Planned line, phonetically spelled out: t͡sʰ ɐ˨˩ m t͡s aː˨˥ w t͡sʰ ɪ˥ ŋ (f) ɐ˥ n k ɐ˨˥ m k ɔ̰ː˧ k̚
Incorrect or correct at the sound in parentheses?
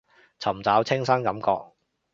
incorrect: s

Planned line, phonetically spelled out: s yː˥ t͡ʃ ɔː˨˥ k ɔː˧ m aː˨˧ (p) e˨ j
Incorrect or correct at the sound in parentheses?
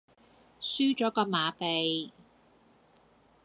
correct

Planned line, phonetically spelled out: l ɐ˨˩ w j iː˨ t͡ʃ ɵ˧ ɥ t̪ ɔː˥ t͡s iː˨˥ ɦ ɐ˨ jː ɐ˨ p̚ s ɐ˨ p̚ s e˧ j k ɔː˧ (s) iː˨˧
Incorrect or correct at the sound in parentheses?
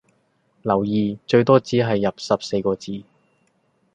incorrect: t͡s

